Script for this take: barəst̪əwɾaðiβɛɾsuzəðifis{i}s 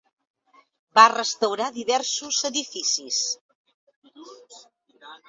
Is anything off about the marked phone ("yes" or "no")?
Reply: no